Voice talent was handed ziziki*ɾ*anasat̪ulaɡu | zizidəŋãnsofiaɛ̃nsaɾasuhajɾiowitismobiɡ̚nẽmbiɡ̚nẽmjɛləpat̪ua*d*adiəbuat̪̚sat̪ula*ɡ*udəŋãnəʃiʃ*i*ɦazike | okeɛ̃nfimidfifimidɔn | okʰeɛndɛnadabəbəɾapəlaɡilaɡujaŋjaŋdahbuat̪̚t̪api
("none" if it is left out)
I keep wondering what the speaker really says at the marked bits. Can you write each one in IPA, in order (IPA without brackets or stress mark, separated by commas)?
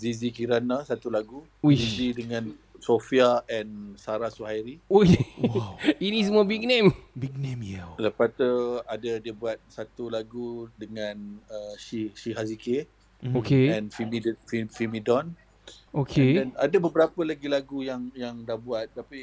ɾ, d, ɡ, i